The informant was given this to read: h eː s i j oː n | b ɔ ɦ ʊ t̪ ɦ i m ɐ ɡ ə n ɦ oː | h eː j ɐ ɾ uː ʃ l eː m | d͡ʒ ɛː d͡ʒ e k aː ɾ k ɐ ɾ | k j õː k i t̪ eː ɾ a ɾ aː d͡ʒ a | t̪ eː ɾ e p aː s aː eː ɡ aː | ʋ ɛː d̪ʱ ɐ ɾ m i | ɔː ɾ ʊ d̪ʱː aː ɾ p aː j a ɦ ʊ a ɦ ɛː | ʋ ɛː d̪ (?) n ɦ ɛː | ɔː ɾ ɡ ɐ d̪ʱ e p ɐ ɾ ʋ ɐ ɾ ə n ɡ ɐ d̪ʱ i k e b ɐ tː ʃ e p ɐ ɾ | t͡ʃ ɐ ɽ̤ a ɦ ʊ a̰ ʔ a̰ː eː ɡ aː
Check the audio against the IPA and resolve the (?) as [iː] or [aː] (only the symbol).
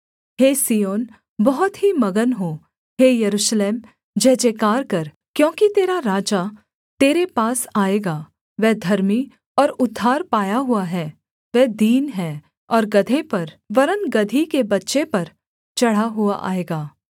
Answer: iː